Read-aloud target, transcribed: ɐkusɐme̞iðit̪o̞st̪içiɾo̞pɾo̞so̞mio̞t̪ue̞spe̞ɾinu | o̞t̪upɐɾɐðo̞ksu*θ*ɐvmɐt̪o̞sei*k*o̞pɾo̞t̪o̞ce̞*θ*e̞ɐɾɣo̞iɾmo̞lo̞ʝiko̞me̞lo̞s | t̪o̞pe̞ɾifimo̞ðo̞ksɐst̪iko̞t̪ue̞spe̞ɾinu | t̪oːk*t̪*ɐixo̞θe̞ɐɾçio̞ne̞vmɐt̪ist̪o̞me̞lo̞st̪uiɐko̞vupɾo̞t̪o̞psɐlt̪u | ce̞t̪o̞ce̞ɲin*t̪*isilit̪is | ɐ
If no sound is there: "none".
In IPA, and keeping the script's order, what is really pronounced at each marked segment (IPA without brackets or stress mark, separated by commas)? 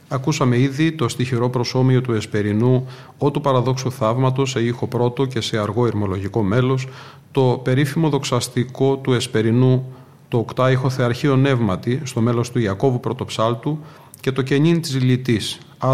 θ, x, s, t̪, t̪